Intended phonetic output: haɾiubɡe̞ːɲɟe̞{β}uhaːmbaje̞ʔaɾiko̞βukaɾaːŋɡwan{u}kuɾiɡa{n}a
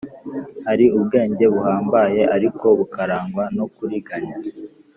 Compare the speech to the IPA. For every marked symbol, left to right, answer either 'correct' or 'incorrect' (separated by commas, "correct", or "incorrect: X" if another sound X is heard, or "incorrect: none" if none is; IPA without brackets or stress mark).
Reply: correct, incorrect: o, incorrect: ɲ